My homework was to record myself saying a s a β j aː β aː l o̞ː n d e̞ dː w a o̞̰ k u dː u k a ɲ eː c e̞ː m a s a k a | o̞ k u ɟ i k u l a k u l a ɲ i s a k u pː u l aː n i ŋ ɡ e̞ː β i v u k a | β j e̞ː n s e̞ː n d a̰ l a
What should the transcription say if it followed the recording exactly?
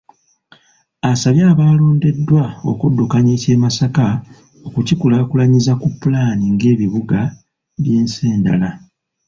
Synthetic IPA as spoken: a s a β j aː β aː l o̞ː n d e̞ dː w a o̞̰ k u dː u k a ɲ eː c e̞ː m a s a k a | o̞ k u c i k u l a k u l a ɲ i z a k u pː u l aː n i ŋ ɡ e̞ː β i β u ɡ a | β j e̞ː n s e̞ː n d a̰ l a